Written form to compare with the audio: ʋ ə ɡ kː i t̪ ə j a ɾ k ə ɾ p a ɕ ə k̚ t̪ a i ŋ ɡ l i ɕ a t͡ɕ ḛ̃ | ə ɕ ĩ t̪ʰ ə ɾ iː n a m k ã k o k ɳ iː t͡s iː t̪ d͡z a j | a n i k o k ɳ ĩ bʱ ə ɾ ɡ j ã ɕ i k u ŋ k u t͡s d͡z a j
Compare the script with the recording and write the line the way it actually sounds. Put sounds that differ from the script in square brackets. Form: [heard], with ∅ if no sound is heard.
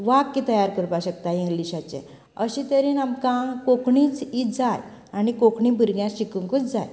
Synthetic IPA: ʋ [a] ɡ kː i t̪ ə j a ɾ k ə ɾ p a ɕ ə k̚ t̪ a i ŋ ɡ l i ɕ a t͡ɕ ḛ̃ | ə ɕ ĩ [t̪] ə ɾ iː n a m k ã k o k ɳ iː t͡s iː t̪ d͡z a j | a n i k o k ɳ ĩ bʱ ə ɾ ɡ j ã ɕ i k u ŋ k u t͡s d͡z a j